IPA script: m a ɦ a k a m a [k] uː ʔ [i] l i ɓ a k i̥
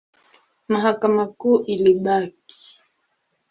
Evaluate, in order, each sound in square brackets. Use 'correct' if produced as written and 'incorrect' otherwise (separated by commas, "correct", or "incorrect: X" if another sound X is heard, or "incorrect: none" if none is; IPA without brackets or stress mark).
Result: correct, correct